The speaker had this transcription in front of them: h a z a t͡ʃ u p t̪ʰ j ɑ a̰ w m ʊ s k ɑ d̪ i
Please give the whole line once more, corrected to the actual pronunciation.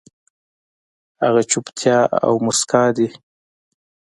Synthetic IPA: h a ɣ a t͡ʃ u p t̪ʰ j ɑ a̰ w m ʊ s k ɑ d̪ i